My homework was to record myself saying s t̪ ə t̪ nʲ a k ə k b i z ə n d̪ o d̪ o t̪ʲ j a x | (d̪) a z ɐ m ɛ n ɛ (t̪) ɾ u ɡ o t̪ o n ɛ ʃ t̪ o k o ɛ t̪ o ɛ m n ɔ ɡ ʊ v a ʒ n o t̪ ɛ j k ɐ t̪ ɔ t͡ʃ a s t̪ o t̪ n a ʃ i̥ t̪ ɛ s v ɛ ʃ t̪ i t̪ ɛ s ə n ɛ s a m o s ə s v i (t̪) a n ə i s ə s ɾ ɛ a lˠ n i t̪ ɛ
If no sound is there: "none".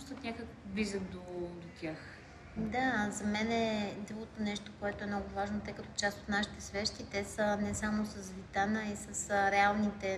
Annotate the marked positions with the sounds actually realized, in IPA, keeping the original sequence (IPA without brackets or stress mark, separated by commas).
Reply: d̪, d̪, t̪